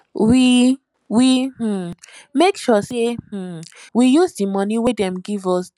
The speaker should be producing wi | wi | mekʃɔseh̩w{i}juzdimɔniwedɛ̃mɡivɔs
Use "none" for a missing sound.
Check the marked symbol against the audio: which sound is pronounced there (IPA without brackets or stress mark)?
i